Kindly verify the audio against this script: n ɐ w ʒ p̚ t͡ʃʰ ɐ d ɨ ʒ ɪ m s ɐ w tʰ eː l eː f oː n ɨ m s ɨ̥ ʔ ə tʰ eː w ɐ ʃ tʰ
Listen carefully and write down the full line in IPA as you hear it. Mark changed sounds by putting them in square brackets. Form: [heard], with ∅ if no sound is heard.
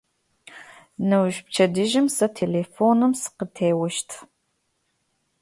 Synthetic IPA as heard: n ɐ w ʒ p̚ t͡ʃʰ ɐ d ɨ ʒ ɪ m s ɐ [∅] tʰ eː l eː f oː n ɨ m s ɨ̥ [q] ə tʰ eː w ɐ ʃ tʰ